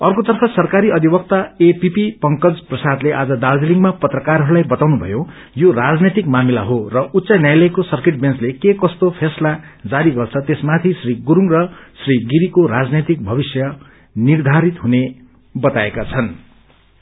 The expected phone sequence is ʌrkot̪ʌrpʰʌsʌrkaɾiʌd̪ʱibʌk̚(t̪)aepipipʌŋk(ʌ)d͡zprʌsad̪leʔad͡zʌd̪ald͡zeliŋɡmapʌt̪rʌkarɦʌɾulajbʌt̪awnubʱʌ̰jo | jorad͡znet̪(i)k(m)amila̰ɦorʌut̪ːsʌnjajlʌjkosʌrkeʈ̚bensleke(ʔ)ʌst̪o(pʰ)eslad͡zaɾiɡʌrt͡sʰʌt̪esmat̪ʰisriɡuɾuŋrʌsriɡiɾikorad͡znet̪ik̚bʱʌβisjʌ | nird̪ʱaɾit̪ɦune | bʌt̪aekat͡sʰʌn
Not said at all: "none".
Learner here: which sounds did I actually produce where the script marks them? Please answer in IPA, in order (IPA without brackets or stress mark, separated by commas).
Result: t̪, ʌ, i, m, k, pʰ